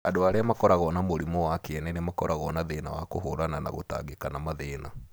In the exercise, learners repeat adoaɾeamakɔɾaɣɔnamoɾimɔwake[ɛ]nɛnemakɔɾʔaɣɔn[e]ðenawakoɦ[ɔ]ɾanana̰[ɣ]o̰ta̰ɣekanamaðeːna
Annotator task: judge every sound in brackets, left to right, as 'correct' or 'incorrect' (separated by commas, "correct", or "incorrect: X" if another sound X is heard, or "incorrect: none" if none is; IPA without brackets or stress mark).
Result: correct, incorrect: a, incorrect: o, correct